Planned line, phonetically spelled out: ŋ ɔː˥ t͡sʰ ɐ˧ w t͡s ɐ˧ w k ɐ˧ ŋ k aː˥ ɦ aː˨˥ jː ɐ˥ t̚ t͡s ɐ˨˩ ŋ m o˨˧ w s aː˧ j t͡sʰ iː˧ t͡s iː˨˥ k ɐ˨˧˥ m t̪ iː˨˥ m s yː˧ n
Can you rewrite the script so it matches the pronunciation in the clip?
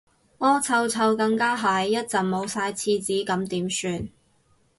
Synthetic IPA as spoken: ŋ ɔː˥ t͡sʰ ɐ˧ w t͡sʰ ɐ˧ w k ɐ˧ ŋ k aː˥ ɦ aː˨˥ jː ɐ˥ t̚ t͡s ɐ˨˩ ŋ m o˨˧ w s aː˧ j t͡sʰ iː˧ t͡s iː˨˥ k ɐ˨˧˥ m t̪ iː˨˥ m s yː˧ n